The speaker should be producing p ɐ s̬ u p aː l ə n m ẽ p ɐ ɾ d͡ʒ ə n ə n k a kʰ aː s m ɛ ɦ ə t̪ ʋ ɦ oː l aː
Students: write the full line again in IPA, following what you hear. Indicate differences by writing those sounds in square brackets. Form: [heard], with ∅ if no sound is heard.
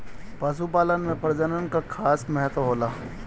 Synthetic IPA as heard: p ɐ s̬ u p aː l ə n m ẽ p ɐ ɾ d͡ʒ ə n ə n k a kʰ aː s m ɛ ɦ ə t̪ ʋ ɦ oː l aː